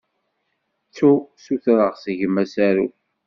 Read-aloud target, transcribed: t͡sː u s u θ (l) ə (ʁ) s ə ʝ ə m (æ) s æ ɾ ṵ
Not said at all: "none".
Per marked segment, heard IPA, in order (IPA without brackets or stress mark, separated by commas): ɾ, ʁ, æ